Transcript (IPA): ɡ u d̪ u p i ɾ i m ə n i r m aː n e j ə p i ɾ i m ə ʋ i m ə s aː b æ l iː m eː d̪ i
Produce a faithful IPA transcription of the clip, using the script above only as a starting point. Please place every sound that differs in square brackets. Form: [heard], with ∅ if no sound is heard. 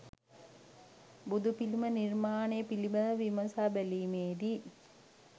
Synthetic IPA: [b] u d̪ u p i [l] i m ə n i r m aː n e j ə p i [l] i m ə ʋ i m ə s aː b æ l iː m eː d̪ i